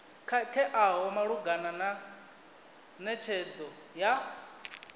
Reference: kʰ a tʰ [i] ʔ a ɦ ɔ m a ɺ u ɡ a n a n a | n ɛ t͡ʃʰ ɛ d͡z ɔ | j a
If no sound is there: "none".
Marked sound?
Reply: ɛ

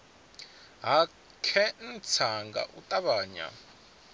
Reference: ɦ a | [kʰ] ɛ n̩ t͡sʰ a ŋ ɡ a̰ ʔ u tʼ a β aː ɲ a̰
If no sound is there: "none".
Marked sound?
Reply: kʰ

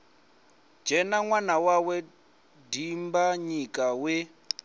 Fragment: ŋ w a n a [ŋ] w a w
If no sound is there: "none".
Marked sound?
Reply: none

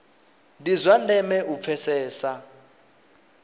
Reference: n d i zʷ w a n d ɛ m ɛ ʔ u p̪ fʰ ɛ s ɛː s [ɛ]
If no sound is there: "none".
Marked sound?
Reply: a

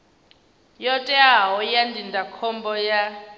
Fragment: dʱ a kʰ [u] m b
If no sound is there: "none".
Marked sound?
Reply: ɔ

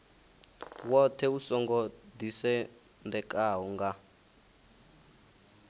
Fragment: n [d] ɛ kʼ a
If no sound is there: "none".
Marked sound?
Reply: d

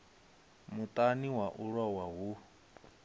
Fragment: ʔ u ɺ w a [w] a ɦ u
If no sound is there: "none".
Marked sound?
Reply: w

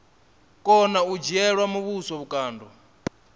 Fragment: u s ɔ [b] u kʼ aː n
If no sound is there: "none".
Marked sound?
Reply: β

